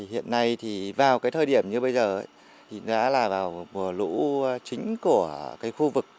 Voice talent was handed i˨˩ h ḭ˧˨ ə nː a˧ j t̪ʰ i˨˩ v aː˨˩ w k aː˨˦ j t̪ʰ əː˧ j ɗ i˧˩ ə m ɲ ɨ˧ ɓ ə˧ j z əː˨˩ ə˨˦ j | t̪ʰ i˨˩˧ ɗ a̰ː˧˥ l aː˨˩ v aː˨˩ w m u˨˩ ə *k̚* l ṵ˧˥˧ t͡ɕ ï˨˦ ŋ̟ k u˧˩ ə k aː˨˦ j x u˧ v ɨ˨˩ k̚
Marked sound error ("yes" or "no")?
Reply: yes